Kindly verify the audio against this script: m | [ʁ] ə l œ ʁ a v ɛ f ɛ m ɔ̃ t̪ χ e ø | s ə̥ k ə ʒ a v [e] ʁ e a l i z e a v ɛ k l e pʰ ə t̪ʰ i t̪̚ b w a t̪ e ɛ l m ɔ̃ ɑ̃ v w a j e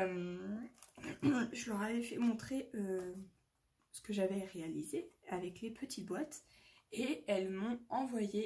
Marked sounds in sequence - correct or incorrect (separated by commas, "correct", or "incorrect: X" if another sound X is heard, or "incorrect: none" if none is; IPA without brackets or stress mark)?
incorrect: ʒ, incorrect: ɛ